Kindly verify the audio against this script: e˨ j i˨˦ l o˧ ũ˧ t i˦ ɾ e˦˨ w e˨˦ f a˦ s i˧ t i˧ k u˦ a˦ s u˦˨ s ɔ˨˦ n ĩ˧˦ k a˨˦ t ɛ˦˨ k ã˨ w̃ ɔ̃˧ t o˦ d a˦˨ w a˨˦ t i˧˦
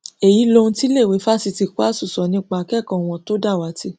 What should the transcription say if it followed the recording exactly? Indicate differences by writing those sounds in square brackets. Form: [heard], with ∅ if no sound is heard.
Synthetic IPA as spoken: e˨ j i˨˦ l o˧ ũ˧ t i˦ [l] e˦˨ w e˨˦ f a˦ s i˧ t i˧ k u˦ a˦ s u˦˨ s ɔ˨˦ n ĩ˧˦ [k͡p] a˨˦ [k] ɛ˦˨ k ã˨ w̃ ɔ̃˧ t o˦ d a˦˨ w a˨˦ t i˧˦